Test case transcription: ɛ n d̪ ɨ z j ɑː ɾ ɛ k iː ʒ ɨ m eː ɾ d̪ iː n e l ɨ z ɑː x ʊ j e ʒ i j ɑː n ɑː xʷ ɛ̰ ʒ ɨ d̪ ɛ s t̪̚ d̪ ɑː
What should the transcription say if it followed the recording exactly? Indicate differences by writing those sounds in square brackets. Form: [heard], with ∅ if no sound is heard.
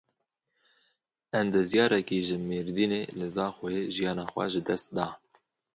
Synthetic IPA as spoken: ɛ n d̪ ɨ z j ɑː ɾ ɛ k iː ʒ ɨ m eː ɾ d̪ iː n e l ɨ z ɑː x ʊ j e ʒ i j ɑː n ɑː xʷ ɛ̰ ʒ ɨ d̪ ɛ s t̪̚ d̪ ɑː

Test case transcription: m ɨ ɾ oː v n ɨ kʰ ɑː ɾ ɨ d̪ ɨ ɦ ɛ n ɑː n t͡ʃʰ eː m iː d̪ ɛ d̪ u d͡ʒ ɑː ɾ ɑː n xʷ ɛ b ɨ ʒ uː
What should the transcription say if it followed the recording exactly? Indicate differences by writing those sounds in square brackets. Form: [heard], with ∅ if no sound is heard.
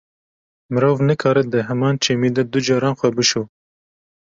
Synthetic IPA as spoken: m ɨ ɾ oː v n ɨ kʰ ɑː ɾ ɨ d̪ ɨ ɦ ɛ [m] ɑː n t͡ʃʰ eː m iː d̪ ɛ d̪ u d͡ʒ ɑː ɾ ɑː n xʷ ɛ b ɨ [ʃ] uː

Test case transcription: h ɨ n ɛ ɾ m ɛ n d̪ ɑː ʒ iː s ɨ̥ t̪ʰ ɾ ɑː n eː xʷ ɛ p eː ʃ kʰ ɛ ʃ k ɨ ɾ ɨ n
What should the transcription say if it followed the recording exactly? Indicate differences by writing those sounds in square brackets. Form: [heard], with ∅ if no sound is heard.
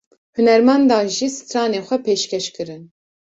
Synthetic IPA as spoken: h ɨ n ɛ ɾ m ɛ n d̪ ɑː ʒ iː s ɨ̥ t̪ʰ ɾ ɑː n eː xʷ ɛ p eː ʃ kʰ ɛ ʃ k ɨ ɾ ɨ n

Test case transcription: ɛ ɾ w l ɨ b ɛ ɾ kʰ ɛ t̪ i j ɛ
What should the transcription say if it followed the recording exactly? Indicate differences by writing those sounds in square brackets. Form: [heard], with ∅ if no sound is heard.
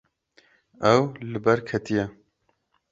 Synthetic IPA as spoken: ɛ [∅] w l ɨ b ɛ ɾ kʰ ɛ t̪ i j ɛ

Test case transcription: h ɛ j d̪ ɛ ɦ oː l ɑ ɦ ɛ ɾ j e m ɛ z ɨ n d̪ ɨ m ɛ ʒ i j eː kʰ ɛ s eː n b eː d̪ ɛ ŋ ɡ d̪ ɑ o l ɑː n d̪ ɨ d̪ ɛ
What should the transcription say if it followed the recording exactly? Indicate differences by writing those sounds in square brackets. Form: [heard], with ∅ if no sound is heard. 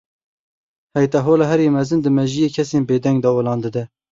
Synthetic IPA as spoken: h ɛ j [t̪] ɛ ɦ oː l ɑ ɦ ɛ ɾ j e m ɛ z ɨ n d̪ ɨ m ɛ ʒ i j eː kʰ ɛ s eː n b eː d̪ ɛ ŋ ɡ d̪ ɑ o l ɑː n d̪ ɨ d̪ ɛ

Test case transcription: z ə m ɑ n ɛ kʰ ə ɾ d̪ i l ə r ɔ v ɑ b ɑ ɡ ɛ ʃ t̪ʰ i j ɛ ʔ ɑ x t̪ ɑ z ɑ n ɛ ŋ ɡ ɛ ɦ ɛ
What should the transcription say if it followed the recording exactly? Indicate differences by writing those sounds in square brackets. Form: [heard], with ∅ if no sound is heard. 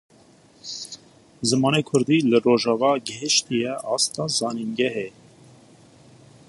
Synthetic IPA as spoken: z ə m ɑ n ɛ kʰ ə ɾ d̪ i l ə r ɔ [ʒ] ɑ [v] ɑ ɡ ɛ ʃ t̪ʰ i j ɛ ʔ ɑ [s] t̪ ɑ z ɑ n [i] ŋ ɡ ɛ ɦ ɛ

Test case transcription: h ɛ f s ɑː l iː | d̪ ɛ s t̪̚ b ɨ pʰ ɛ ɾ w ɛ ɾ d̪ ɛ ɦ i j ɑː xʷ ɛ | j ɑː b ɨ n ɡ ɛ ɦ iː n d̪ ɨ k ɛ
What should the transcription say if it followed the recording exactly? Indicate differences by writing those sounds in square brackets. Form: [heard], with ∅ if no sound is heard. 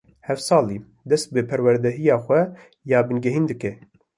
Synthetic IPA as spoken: h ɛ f s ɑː l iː | d̪ ɛ s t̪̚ b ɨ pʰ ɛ ɾ w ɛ ɾ d̪ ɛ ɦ i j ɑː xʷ ɛ | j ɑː b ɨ n ɡ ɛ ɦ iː n d̪ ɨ k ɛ

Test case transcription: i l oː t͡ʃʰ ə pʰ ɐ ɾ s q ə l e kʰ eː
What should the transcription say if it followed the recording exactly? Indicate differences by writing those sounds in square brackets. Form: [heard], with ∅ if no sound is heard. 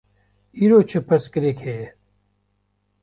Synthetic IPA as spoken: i [ɾ] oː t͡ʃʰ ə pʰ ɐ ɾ s [k] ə [ɾ] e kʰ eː

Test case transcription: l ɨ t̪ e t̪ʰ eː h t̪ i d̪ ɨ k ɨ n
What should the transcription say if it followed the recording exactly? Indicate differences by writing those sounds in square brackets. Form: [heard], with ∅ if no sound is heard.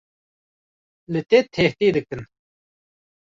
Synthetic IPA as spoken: l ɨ t̪ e t̪ʰ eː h t̪ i d̪ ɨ k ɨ n

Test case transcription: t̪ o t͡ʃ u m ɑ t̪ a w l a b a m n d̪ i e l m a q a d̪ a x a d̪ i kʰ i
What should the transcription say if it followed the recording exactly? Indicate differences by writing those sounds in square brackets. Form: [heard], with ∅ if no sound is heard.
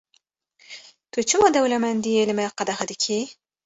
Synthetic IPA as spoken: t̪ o t͡ʃ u m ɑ [d̪] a w l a [m] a [∅] n d̪ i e l m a q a d̪ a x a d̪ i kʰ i

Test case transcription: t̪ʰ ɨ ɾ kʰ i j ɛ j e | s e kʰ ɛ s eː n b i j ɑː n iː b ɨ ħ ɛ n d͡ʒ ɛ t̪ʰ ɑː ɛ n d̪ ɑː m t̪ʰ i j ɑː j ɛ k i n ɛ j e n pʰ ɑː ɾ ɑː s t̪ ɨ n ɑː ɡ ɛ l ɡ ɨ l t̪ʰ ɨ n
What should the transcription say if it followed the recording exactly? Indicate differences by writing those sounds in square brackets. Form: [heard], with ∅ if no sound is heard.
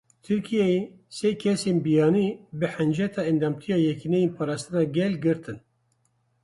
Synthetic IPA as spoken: t̪ʰ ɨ ɾ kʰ i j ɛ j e | s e kʰ ɛ s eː n b i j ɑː n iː b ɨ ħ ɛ n d͡ʒ ɛ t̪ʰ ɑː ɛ n d̪ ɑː m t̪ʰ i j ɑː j ɛ k i n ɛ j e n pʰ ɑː ɾ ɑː s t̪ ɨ n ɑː ɡ ɛ l ɡ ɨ [ɾ] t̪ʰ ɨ n

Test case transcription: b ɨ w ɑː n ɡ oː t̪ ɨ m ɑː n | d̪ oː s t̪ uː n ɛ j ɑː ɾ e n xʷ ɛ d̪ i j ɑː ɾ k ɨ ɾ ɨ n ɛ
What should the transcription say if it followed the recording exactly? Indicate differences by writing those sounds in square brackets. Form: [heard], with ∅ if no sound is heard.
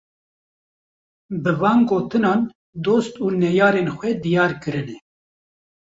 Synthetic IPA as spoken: b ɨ [v] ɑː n ɡ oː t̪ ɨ [n] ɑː n | d̪ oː s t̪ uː n ɛ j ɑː ɾ e n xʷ ɛ d̪ i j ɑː ɾ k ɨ ɾ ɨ n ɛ

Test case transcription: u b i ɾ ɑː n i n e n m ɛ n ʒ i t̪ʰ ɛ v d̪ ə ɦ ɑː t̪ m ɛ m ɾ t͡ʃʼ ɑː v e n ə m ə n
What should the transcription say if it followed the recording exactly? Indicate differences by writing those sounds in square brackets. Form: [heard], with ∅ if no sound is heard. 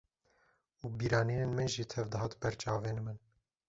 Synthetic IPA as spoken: u b i ɾ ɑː n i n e n m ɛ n ʒ i t̪ʰ ɛ v d̪ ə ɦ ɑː t̪ [b] ɛ [∅] ɾ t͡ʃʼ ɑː v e n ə m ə n

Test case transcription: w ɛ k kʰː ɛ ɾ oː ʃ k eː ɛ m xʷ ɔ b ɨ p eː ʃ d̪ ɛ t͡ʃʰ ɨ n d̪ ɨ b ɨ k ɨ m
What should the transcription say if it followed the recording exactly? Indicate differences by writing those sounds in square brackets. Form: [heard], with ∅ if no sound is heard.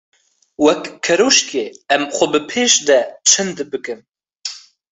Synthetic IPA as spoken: w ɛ k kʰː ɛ ɾ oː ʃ k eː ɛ m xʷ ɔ b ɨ [pʰ] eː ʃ d̪ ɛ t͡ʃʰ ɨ n d̪ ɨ b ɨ k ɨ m

